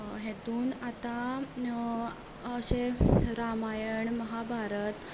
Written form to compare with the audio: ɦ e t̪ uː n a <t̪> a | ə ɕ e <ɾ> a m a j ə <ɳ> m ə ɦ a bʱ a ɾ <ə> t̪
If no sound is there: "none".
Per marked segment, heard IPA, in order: t̪, ɾ, ɳ, ə

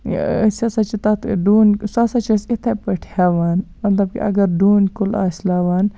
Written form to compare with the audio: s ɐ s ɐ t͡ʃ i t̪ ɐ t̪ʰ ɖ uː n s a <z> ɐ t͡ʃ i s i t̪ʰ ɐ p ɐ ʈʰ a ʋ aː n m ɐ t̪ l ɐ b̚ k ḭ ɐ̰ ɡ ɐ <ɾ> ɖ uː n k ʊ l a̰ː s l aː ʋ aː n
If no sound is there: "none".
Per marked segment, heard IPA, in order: s, ɾ

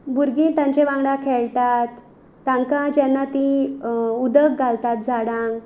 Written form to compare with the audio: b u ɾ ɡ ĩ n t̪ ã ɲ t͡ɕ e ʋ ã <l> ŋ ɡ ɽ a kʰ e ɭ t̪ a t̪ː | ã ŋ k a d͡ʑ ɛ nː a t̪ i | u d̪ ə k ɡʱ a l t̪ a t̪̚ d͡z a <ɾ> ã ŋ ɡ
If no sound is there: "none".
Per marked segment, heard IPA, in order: none, ɽ

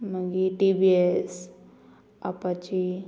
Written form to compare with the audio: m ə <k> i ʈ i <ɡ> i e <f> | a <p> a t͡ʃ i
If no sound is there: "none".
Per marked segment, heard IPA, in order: ɡ, b, s, p

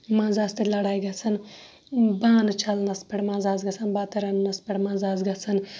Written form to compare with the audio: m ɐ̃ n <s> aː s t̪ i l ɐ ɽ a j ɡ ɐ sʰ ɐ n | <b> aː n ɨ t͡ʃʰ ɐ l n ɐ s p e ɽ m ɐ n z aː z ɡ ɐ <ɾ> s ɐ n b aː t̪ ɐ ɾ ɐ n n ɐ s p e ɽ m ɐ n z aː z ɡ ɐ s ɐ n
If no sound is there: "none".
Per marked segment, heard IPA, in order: z, b, none

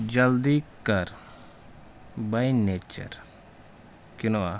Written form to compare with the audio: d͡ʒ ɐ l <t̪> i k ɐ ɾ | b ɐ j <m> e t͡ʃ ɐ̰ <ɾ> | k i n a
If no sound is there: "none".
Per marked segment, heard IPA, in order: d̪, n, ɾ

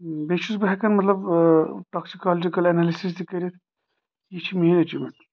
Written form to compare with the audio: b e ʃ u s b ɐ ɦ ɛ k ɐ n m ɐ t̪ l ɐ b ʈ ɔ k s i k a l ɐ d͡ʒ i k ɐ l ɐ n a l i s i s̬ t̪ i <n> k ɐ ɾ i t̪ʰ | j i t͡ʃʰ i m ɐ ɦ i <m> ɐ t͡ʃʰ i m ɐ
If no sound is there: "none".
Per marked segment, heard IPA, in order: none, n

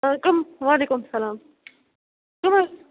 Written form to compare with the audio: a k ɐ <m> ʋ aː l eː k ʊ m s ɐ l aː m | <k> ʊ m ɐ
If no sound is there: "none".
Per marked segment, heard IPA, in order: m, k

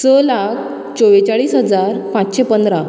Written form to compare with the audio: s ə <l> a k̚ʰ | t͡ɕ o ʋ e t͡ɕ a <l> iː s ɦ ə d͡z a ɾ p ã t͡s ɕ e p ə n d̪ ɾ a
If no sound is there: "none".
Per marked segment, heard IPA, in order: l, ɭ

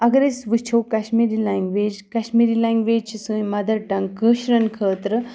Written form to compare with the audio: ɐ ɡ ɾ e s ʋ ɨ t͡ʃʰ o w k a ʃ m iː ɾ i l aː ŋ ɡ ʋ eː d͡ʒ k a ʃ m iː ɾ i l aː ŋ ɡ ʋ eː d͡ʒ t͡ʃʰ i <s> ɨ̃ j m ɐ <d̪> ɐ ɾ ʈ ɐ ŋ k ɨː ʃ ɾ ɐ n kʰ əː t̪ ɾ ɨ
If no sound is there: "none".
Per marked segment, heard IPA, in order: s, d̪

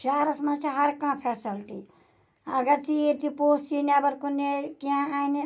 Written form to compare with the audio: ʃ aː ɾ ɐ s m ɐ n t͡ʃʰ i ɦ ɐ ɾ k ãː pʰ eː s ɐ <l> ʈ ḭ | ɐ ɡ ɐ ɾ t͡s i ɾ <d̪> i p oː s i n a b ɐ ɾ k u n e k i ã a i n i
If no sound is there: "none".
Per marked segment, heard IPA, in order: l, t̪

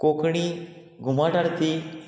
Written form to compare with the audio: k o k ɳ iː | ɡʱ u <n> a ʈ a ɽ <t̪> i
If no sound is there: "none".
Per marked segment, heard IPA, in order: m, t̪

